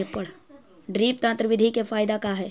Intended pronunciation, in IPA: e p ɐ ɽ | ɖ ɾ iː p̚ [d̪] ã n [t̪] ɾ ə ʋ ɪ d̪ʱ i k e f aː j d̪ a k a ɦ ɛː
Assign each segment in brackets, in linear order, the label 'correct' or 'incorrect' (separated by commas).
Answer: incorrect, correct